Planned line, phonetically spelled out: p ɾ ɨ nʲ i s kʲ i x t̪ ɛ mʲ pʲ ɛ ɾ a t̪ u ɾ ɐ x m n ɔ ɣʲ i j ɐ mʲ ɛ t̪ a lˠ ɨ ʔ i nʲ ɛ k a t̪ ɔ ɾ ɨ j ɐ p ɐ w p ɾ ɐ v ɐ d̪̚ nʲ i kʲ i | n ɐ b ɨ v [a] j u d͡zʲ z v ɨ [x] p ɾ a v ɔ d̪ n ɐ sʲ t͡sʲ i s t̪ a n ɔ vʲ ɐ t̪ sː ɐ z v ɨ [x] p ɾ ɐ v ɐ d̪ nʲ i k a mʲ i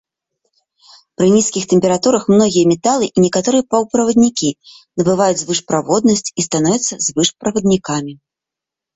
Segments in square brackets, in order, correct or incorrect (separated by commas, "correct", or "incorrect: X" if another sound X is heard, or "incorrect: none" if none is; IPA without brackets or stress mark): correct, incorrect: ʂ, incorrect: ʂ